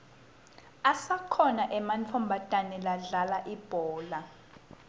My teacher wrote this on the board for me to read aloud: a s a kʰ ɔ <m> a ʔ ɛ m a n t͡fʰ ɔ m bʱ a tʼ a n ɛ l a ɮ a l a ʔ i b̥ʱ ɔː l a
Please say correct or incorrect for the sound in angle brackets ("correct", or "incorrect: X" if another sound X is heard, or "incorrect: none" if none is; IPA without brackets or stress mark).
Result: incorrect: n